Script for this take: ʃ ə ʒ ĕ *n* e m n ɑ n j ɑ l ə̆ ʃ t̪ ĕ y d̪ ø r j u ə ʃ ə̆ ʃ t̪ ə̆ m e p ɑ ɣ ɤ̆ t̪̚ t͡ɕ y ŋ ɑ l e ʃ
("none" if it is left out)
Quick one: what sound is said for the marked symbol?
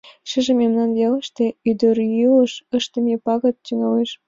m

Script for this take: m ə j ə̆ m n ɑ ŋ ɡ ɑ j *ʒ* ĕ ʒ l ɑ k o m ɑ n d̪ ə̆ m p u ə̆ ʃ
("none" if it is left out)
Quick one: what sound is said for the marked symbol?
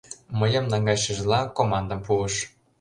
ʃ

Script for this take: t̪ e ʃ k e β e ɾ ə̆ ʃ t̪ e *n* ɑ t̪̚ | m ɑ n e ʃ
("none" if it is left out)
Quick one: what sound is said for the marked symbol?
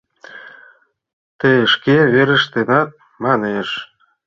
n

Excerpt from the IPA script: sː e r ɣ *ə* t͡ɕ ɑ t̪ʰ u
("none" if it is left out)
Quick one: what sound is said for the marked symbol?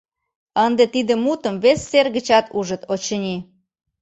ə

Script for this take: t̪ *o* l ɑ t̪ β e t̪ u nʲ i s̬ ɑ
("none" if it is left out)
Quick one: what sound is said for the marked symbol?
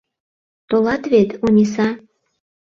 o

